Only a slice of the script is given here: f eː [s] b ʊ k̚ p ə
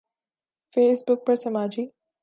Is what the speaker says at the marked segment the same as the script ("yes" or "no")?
yes